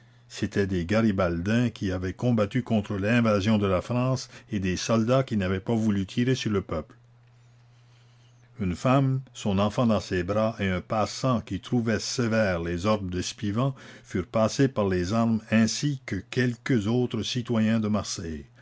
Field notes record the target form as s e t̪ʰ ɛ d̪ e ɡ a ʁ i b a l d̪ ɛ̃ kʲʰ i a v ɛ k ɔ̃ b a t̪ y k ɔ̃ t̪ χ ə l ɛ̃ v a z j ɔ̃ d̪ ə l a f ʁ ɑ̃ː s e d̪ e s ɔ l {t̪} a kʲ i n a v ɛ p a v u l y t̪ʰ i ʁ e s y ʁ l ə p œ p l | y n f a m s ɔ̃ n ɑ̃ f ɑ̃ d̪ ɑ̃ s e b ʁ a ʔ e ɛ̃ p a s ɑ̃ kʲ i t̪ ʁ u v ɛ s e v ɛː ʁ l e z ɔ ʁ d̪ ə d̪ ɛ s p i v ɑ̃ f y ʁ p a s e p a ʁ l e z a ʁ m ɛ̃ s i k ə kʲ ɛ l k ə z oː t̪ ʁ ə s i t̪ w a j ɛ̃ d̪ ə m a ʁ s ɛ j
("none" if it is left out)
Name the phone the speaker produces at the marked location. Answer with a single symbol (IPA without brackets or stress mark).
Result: d̪